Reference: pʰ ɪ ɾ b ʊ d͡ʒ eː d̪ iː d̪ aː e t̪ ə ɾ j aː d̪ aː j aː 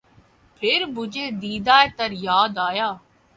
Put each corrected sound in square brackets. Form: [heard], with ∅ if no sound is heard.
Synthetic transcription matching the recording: pʰ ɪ ɾ b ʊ d͡ʒ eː d̪ iː d̪ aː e t̪ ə ɾ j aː d̪ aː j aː